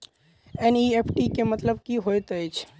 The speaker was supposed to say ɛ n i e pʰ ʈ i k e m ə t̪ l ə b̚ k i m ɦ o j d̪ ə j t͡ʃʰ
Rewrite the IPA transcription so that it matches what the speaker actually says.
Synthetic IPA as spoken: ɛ n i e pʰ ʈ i k e m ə t̪ l ə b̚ k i ɦ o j t̪ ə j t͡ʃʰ